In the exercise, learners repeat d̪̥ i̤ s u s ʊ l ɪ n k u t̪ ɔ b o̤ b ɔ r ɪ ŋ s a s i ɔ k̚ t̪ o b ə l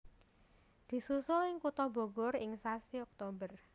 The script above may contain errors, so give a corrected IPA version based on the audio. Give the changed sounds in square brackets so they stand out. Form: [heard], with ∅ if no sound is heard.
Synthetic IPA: d̪̥ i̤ s u s ʊ l ɪ [ŋ] k u t̪ ɔ b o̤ [ɡ] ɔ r ɪ ŋ s a s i ɔ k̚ t̪ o b ə [r]